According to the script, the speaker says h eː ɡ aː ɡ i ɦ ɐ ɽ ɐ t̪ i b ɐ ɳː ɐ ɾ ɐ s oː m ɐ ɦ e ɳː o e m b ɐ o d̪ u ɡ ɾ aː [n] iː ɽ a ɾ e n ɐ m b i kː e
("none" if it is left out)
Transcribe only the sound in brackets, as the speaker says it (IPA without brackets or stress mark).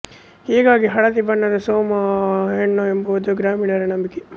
m